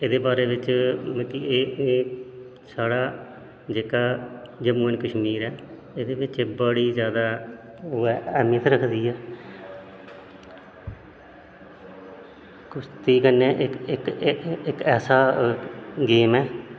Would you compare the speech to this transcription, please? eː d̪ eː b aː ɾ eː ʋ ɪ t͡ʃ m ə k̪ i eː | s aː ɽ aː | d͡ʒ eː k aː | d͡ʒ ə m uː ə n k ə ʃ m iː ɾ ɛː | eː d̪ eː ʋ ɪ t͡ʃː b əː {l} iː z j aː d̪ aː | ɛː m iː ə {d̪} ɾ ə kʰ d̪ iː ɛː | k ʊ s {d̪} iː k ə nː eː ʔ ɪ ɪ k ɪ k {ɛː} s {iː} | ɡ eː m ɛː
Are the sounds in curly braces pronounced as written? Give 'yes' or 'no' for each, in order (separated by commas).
no, no, no, yes, no